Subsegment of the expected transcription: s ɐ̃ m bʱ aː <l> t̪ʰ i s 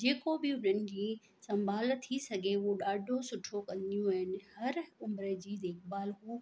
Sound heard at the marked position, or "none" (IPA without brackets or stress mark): l